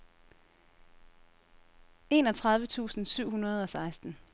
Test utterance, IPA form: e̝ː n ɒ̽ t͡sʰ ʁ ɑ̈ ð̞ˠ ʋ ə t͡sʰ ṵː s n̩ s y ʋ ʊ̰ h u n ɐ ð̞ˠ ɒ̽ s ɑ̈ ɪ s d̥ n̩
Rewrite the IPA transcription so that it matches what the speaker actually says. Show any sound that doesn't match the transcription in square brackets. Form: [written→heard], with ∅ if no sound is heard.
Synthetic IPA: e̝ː n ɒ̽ t͡sʰ ʁ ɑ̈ ð̞ˠ ʋ ə t͡sʰ ṵː s n̩ s y [ʋ→∅] ʊ̰ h u n ɐ ð̞ˠ ɒ̽ s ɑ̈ ɪ s d̥ n̩